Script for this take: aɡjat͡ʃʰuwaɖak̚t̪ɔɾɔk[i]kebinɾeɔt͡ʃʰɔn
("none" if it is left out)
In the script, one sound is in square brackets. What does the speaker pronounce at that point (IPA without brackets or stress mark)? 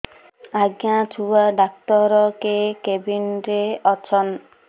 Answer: e